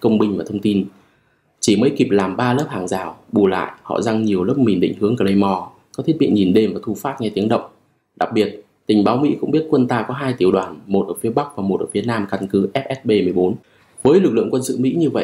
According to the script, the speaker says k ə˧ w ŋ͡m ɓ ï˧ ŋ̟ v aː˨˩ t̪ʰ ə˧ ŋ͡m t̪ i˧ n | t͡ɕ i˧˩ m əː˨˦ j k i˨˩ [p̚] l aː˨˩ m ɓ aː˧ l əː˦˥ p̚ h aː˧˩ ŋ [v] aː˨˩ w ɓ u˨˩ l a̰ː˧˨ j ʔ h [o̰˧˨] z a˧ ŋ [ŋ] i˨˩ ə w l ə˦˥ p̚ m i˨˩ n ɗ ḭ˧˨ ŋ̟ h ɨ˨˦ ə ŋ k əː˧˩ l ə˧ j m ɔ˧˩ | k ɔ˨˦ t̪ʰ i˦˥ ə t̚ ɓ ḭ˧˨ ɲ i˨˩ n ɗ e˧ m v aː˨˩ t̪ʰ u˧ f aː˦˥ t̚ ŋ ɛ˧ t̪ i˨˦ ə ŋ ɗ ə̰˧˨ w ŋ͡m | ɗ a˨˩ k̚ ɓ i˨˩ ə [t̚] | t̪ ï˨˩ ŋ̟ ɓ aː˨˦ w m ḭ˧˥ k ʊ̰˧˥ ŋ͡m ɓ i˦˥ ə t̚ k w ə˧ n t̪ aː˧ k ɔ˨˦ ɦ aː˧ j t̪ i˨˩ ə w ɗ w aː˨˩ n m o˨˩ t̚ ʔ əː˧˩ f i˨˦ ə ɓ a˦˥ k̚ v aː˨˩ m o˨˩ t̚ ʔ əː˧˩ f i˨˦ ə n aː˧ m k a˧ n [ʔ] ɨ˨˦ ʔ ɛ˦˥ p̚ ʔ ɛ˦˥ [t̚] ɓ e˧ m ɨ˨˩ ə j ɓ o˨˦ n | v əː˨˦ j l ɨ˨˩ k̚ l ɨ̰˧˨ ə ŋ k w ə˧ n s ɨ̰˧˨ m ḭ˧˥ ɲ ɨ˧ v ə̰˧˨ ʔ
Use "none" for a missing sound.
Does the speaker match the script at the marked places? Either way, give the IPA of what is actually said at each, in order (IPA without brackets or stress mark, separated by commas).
p̚, z, ɔ̰˧˨, ɲ, t̚, k, t̚